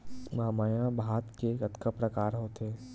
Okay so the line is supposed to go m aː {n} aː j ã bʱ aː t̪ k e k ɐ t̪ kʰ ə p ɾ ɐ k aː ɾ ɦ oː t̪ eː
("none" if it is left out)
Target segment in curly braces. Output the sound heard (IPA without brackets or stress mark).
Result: m